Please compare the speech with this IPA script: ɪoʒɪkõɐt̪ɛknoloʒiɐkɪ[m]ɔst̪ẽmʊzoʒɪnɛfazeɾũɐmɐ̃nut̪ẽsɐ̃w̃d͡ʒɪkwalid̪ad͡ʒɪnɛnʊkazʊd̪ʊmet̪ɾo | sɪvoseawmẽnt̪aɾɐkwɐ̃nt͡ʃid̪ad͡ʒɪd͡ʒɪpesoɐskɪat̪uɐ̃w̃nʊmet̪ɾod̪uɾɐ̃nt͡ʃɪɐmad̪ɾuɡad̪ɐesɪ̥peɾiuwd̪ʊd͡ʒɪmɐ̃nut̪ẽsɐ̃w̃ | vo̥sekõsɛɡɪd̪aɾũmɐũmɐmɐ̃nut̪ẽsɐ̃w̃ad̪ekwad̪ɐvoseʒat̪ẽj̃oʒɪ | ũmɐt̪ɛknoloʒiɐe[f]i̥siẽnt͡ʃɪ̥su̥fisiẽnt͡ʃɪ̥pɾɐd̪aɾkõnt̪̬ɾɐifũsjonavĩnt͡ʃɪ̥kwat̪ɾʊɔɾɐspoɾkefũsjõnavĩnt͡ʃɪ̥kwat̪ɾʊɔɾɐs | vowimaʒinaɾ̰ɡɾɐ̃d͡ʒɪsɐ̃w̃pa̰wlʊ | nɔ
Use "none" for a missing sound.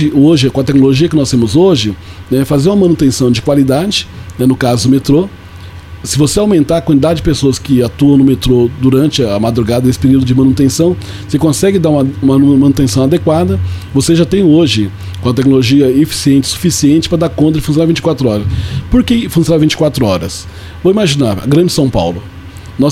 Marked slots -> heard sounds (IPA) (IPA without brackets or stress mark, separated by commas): n, f